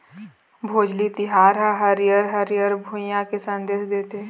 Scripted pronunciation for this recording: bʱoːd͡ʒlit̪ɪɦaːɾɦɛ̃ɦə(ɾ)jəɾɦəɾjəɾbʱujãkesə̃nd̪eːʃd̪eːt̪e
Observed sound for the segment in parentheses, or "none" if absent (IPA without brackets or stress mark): ɾ